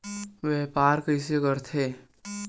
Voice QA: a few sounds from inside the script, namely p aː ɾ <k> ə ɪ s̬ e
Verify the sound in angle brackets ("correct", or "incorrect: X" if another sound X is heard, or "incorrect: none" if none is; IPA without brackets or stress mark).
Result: correct